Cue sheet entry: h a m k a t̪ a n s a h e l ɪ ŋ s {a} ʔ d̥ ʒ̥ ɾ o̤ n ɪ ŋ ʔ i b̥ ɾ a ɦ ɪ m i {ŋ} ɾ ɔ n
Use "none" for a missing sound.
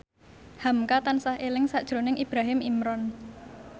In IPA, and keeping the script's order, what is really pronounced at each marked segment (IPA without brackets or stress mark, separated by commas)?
a, m